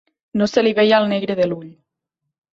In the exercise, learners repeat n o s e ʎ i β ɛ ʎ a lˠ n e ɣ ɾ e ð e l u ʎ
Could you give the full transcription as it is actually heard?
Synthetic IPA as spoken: n o s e l i β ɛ j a lˠ n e ɣ ɾ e ð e l u ʎ

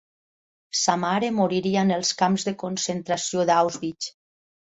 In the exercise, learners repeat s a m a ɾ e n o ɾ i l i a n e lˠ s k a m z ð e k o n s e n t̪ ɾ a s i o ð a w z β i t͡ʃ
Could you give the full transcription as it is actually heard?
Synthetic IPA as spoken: s a m a ɾ e m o ɾ i ɾ i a n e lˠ s k a m z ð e k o n s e n t̪ ɾ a s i o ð a w z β i t͡ʃ

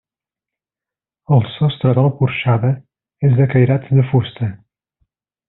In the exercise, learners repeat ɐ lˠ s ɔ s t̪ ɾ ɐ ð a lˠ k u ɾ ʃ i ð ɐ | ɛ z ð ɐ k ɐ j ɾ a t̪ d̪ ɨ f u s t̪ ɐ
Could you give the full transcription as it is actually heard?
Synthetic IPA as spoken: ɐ lˠ s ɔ s t̪ ɾ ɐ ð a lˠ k u ɾ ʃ a ð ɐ | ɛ z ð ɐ k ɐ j ɾ a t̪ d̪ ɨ f u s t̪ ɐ

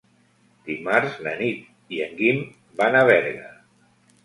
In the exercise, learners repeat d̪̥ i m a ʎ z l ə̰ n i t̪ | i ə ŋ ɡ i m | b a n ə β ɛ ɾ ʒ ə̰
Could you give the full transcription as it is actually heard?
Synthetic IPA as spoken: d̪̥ i m a ɾ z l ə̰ n i t̪ | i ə ŋ ɡ i m | b a n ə β ɛ ɾ ɣ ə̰

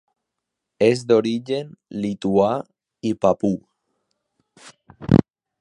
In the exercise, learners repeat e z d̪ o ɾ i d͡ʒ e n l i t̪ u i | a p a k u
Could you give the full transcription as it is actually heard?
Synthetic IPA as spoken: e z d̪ o ɾ i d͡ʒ e n l i t̪ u a | i p a p u

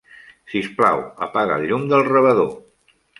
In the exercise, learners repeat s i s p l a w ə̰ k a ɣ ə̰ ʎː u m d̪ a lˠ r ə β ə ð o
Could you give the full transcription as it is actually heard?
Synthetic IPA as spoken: s i s p l a w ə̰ p a ɣ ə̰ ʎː u m d̪ ə lˠ r ə β ə ð o

